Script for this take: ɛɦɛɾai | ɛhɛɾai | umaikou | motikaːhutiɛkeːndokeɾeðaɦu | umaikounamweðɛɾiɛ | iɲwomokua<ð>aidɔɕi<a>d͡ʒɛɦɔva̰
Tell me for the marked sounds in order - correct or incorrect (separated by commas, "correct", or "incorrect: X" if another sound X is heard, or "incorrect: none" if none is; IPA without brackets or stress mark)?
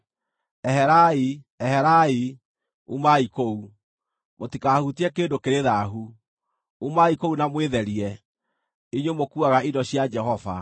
incorrect: ɣ, correct